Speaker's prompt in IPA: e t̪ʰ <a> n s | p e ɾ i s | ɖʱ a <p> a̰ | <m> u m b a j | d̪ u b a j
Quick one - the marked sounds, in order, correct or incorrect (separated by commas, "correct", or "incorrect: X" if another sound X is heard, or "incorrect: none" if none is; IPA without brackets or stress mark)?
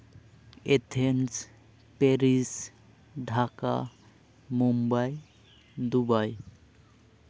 incorrect: e, incorrect: k, correct